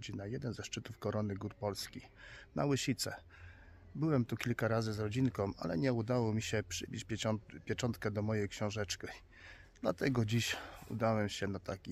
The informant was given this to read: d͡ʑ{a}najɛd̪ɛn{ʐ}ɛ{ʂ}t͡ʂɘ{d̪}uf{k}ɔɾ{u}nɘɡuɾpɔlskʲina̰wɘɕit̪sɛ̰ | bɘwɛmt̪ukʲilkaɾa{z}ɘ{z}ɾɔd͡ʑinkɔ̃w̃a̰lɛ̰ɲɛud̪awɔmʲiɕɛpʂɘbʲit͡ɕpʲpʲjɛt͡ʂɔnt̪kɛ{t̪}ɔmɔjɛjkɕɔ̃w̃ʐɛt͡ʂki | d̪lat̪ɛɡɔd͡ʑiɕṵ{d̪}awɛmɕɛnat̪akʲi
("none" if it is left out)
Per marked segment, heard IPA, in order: i, z, ʂ, t̪, k, ɔ, z, z, d̪, d̪

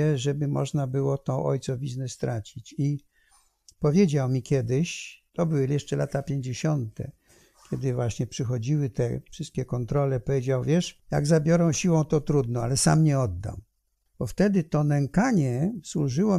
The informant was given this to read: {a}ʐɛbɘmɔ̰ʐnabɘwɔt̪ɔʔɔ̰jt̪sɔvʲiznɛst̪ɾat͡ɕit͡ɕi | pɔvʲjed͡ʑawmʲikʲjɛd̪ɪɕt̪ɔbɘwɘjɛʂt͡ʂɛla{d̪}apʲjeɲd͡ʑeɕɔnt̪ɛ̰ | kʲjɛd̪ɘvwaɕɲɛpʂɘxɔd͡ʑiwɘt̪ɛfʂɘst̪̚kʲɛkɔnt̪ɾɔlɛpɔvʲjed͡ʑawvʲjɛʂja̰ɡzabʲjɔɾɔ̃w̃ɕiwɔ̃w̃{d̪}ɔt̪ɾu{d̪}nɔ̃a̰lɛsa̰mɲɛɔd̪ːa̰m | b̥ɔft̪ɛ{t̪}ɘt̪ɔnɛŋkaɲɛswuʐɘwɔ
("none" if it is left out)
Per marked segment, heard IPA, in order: ɛ, t̪, t̪, d̪, d̪

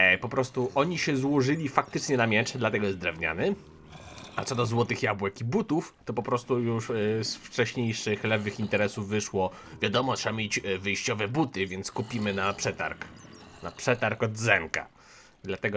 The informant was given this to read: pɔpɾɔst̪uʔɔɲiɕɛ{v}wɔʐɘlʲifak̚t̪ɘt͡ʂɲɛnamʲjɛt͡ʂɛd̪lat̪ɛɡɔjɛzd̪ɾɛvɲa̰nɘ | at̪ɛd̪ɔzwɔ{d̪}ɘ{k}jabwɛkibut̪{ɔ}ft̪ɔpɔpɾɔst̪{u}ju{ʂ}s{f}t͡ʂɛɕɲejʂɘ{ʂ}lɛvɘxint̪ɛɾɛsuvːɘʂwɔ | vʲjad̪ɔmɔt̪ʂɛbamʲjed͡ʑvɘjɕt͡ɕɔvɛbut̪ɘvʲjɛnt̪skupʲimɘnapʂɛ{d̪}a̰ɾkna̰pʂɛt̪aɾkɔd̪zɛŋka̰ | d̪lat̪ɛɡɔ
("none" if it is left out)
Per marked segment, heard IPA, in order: z, t̪, x, u, u, ʂ, f, x, t̪

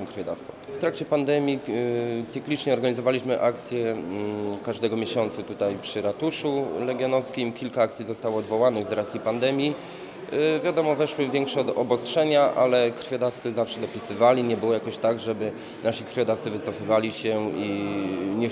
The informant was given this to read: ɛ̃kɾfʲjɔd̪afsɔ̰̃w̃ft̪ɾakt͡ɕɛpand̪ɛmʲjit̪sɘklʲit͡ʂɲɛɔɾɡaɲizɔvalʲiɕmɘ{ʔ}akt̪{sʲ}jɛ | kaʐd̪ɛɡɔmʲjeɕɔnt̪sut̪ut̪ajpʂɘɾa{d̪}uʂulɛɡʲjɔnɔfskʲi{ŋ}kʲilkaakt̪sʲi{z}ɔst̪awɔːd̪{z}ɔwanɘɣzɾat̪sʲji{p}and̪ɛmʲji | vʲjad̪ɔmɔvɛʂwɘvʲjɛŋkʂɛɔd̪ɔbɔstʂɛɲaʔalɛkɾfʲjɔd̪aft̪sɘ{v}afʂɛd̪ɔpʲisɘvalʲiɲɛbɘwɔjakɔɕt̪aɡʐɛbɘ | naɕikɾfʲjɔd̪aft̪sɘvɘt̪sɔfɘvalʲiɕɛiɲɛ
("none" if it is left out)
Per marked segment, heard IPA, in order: ʔ, sʲ, t̪, m, z, v, p, z

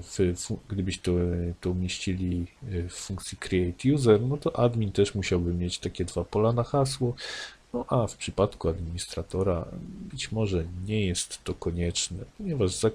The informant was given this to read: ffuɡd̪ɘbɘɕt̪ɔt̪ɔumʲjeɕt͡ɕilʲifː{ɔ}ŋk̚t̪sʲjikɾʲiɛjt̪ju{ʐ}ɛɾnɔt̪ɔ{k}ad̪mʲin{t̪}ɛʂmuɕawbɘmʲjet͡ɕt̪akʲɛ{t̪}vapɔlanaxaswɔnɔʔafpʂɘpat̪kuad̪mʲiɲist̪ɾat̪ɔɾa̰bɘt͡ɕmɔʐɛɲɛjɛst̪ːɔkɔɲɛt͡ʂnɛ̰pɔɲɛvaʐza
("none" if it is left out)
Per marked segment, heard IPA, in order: u, z, ʔ, t̪, d̪

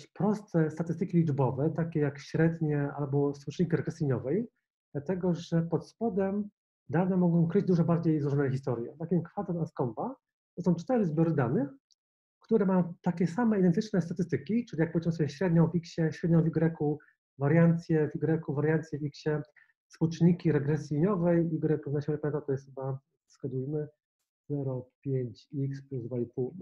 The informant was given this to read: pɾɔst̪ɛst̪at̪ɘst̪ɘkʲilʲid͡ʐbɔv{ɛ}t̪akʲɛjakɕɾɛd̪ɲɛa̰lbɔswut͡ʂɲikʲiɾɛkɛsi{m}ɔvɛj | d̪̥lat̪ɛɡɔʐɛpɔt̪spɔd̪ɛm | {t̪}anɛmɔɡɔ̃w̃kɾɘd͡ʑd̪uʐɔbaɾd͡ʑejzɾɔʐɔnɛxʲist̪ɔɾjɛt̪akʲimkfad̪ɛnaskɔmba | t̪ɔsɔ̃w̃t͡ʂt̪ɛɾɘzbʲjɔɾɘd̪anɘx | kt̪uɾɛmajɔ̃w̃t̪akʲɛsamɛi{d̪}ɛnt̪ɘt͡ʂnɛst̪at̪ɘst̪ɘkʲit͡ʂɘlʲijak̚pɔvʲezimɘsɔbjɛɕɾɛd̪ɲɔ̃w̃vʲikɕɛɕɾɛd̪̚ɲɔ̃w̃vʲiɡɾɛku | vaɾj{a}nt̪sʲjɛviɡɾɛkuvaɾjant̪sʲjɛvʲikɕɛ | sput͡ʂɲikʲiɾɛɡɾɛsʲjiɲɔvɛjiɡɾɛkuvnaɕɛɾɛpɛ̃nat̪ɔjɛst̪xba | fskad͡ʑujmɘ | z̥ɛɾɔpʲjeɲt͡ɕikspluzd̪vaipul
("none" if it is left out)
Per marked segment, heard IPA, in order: ɛ, ɲ, d̪, d̪, a

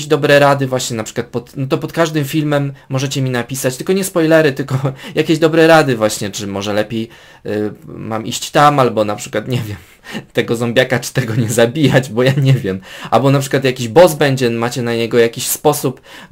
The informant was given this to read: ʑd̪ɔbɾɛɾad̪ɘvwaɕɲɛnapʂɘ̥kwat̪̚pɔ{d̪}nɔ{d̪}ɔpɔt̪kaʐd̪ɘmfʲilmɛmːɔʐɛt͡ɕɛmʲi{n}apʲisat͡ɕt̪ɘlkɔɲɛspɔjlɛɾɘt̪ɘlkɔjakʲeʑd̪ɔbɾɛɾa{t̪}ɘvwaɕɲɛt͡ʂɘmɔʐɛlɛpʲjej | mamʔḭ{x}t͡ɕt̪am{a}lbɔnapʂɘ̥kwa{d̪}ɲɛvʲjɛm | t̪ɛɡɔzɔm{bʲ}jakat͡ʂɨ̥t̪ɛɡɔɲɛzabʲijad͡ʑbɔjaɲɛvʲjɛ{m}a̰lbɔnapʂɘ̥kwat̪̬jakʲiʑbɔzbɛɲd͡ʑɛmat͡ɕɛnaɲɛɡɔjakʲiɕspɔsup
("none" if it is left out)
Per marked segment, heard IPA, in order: t̪, t̪, n, d̪, ɕ, a, t̪, bʲ, m

